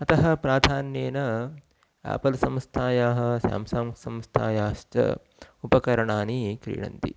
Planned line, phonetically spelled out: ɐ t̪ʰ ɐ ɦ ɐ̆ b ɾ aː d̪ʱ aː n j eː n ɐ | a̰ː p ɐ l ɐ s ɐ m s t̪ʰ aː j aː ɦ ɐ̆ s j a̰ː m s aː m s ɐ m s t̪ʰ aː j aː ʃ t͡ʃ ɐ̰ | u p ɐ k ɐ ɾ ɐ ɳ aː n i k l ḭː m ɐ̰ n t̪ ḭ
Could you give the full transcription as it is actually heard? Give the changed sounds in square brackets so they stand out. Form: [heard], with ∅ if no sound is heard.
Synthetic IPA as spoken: ɐ [t̪] ɐ ɦ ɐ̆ [p] ɾ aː d̪ʱ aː n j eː n ɐ | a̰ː p ɐ l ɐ s ɐ m s t̪ʰ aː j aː ɦ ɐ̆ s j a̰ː m s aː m s ɐ m s t̪ʰ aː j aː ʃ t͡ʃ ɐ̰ | u p ɐ k ɐ ɾ ɐ ɳ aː n i k [ɾ] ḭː [ɳ] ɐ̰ n t̪ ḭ